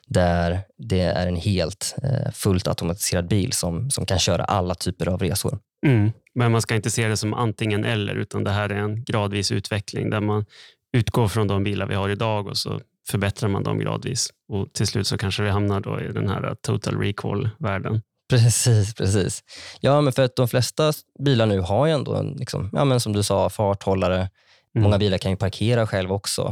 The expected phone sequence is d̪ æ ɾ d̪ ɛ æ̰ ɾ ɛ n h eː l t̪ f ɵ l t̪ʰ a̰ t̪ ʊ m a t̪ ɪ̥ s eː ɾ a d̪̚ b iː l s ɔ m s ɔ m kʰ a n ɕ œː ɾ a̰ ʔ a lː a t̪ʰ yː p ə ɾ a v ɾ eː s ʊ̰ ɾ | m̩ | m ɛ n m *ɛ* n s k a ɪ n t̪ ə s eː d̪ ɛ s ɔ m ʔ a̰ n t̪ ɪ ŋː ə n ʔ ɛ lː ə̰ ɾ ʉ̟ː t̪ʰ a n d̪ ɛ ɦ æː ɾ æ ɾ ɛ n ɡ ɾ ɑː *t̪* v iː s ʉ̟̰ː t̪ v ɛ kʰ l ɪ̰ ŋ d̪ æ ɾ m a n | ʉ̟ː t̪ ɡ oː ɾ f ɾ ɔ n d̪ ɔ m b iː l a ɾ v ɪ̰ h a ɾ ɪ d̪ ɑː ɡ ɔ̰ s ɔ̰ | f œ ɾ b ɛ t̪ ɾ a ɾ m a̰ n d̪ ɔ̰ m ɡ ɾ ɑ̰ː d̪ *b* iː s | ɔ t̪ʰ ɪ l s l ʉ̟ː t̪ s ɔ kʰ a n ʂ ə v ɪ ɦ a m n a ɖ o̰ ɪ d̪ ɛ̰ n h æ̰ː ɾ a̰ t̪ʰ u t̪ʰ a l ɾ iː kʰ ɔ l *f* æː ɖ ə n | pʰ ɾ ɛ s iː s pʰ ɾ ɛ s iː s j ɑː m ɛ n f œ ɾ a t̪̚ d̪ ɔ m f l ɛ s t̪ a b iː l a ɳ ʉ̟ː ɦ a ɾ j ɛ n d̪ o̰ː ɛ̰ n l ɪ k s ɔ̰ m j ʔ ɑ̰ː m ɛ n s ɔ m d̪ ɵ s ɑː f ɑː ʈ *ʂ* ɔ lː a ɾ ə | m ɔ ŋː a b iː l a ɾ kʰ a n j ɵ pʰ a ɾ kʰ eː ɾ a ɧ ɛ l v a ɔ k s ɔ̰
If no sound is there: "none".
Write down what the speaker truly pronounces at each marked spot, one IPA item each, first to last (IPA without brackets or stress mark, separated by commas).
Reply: a, d̪, v, v, h